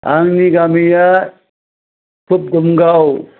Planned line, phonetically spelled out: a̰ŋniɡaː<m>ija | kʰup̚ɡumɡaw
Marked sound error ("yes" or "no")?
no